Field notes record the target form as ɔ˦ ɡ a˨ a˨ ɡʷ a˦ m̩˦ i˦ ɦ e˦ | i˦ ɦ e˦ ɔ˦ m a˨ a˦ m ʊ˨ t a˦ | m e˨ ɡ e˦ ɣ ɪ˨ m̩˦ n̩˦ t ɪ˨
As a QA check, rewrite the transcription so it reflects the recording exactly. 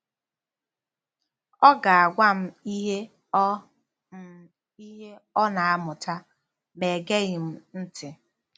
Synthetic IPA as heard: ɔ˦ ɡ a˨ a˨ ɡʷ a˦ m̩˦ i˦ ɦ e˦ | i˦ ɦ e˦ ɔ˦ n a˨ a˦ m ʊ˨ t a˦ | m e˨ ɡ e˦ ɣ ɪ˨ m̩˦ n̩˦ t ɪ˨